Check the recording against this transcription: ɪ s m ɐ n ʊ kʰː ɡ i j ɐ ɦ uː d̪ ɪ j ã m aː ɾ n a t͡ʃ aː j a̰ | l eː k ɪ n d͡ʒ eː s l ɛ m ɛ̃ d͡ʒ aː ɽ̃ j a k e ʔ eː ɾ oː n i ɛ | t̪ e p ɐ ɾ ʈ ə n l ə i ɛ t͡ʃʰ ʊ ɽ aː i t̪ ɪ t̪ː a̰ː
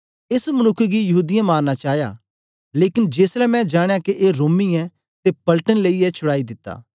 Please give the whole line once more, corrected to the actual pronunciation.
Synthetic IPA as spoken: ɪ s m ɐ n ʊ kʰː ɡ i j ɐ ɦ uː d̪ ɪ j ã m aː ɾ n a t͡ʃ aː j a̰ | l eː k ɪ n d͡ʒ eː s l ɛ m ɛ̃ d͡ʒ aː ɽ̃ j a k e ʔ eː ɾ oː m i ɛ | t̪ e p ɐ l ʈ ə n l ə i ɛ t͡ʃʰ ʊ ɽ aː i d̪ ɪ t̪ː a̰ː

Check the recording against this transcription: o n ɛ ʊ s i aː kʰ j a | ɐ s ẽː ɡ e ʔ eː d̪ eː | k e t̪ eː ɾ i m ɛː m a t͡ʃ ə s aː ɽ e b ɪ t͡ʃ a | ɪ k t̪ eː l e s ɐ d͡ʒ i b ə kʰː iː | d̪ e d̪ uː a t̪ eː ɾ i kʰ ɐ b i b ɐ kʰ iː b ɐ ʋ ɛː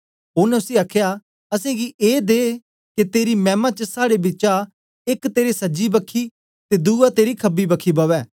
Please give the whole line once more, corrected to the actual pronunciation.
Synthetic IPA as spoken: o n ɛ ʊ s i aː kʰ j a | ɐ s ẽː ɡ i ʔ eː d̪ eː | k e t̪ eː ɾ i m ɛː m a t͡ʃ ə s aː ɽ e b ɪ t͡ʃ a | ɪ k t̪ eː ɾ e s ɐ d͡ʒ i b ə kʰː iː | t̪ e d̪ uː a t̪ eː ɾ i kʰ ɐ b i b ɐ kʰ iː b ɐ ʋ ɛː

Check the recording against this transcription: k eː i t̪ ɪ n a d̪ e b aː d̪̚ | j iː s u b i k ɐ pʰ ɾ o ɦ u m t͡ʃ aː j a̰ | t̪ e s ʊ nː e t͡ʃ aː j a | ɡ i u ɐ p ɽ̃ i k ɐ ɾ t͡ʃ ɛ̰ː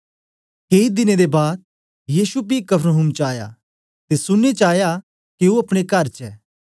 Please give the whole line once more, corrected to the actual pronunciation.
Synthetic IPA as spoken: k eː i d̪ ɪ n e d̪ e b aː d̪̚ | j iː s u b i k ɐ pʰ ɾ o ɦ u m t͡ʃ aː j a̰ | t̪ e s ʊ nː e t͡ʃ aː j a | k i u ɐ p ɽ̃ e k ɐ ɾ t͡ʃ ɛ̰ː

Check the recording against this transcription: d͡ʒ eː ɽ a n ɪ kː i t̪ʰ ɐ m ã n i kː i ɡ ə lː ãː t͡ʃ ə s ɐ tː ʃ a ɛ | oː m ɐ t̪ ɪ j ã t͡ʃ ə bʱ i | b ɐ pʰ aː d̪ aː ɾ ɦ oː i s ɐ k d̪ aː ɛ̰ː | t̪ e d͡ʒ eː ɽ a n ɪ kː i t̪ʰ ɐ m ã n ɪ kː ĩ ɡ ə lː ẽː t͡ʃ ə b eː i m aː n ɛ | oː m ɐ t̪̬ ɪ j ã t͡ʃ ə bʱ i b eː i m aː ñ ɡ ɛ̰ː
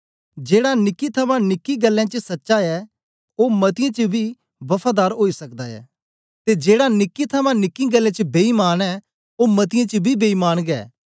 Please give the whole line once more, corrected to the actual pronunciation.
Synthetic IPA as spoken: d͡ʒ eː ɽ a n ɪ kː i t̪ʰ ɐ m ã n ɪ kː i ɡ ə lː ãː t͡ʃ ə s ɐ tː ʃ a ɛ | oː m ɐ t̪ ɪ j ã t͡ʃ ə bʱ i | b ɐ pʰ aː d̪ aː ɾ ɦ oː i s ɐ k d̪ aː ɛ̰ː | t̪ e d͡ʒ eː ɽ a n ɪ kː i t̪ʰ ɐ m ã n ɪ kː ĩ ɡ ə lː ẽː t͡ʃ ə b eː i m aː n ɛ | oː m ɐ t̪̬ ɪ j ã t͡ʃ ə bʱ i b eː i m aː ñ ɡ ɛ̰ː

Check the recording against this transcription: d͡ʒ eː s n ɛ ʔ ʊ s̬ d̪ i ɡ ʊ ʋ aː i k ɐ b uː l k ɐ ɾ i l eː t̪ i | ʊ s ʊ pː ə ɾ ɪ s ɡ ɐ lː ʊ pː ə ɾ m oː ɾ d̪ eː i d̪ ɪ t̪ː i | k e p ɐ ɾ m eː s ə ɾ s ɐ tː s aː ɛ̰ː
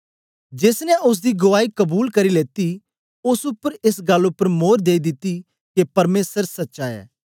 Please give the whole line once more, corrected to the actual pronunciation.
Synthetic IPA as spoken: d͡ʒ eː s n ɛ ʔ ʊ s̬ d̪ i ɡ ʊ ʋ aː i k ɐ b uː l k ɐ ɾ i l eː t̪ i | ʊ s ʊ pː ə ɾ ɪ s ɡ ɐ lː ʊ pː ə ɾ m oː ɾ d̪ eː i d̪ ɪ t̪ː i | k e p ɐ ɾ m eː s ə ɾ s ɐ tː ʃ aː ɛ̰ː

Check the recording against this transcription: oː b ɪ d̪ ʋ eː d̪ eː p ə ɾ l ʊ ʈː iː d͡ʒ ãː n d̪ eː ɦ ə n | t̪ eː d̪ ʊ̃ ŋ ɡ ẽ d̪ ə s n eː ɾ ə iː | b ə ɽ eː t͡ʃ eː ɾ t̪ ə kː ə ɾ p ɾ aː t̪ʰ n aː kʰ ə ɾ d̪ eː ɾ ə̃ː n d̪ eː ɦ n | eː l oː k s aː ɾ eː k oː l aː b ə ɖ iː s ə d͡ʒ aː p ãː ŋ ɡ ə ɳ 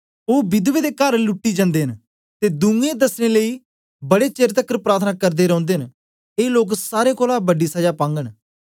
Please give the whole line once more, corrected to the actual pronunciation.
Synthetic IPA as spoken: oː b ɪ d̪ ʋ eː d̪ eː k ə ɾ l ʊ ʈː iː d͡ʒ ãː n d̪ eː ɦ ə n | t̪ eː d̪ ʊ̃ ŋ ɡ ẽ d̪ ə s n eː l ə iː | b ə ɽ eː t͡ʃ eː ɾ t̪ ə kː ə ɾ p ɾ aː t̪ʰ n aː k ə ɾ d̪ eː ɾ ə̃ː n d̪ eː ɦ n | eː l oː k s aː ɾ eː k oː l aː b ə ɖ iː s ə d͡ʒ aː p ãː ŋ ɡ ə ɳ

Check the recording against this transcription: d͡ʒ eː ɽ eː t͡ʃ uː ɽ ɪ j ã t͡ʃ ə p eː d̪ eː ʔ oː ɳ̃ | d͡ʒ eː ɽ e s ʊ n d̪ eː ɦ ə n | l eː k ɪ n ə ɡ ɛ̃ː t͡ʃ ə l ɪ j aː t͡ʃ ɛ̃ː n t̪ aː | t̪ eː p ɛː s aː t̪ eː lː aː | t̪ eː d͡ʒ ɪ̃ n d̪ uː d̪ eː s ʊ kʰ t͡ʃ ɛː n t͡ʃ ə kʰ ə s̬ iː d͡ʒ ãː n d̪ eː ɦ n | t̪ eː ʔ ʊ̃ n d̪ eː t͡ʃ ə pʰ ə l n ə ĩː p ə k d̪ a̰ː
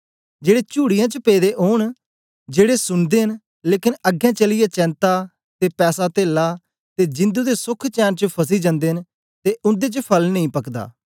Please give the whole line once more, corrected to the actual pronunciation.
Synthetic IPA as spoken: d͡ʒ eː ɽ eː t͡ʃ uː ɽ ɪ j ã t͡ʃ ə p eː d̪ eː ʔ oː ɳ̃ | d͡ʒ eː ɽ e s ʊ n d̪ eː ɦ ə n | l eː k ɪ n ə ɡ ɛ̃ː t͡ʃ ə l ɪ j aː t͡ʃ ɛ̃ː n t̪ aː | t̪ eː p ɛː s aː t̪ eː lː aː | t̪ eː d͡ʒ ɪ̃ n d̪ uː d̪ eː s ʊ kʰ t͡ʃ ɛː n t͡ʃ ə pʰ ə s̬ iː d͡ʒ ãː n d̪ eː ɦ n | t̪ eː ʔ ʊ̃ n d̪ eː t͡ʃ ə pʰ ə l n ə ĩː p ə k d̪ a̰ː

